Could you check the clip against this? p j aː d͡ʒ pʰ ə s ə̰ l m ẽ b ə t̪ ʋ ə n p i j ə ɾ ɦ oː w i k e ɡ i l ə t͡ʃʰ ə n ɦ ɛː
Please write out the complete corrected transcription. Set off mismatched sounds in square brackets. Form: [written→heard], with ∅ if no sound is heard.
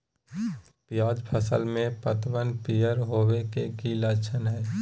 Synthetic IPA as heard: p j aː d͡ʒ pʰ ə s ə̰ l m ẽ [b→p] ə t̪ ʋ ə n p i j ə ɾ ɦ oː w [i→e] k e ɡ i l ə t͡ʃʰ ə n ɦ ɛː